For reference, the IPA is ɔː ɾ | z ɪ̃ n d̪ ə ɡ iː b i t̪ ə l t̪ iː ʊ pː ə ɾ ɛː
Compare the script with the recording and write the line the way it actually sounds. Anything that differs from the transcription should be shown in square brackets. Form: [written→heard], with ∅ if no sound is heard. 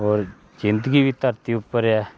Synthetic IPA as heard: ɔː ɾ | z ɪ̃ n d̪ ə ɡ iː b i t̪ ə [l→ɾ] t̪ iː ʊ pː ə ɾ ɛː